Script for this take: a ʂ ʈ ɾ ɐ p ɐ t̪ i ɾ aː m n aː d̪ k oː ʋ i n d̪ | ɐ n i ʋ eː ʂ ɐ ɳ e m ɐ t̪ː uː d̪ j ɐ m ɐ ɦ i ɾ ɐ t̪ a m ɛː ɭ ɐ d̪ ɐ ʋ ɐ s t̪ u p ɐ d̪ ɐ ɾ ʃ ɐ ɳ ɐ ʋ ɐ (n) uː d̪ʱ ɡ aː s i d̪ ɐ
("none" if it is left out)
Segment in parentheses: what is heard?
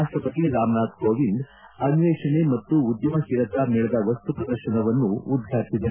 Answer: nː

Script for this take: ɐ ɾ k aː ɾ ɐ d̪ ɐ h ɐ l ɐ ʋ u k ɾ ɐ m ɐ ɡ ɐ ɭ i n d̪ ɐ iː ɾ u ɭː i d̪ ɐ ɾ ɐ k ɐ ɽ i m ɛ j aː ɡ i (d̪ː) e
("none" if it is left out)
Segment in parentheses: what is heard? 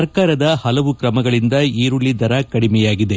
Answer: d̪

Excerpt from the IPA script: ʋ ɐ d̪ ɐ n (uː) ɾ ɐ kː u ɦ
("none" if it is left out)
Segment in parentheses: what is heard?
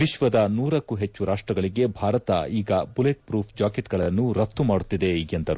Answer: uː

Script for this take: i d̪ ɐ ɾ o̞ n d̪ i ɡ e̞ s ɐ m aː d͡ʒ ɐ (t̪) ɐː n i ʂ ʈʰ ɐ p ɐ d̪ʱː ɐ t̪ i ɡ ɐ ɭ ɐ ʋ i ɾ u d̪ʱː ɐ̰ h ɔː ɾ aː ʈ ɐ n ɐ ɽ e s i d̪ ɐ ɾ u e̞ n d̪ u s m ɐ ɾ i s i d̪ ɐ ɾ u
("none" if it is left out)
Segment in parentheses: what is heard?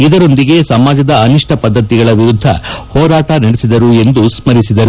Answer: d̪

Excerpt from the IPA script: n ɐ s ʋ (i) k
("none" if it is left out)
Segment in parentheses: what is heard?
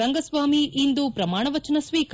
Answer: iː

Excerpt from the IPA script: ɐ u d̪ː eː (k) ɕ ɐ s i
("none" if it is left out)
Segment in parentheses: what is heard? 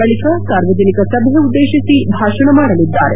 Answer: none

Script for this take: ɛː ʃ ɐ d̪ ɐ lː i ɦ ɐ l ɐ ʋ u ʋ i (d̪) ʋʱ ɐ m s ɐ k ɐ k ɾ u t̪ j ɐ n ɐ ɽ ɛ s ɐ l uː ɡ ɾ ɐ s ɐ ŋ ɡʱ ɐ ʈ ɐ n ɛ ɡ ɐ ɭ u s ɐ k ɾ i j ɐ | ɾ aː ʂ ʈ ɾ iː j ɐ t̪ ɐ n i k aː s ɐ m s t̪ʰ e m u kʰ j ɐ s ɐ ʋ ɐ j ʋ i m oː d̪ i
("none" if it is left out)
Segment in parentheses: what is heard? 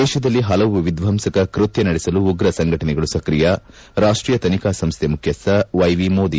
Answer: d̪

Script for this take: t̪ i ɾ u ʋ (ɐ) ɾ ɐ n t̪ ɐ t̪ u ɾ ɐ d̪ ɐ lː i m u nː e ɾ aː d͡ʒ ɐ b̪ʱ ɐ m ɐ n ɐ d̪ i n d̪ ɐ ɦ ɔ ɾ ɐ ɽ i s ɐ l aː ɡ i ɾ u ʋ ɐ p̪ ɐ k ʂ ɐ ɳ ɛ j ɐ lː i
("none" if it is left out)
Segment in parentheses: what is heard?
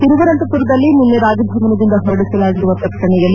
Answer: ɐ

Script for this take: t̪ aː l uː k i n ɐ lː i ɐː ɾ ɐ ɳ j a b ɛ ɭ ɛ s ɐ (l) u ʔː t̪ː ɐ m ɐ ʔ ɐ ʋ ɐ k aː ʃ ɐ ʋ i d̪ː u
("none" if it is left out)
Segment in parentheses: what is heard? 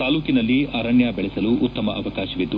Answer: l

